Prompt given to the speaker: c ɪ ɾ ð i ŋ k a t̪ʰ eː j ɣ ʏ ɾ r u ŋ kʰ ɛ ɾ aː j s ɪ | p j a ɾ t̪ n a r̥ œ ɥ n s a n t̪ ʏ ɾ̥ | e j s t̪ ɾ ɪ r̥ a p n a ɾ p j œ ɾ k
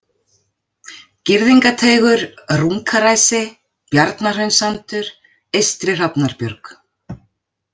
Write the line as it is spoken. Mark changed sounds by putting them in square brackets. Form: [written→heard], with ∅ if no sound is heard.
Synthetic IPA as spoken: c ɪ ɾ ð i ŋ k a t̪ʰ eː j ɣ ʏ ɾ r u ŋ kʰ [ɛ→a] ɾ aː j s ɪ | p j a ɾ t̪ n a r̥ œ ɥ n s a n t̪ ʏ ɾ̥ | e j s t̪ ɾ ɪ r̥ a p n a ɾ p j œ ɾ k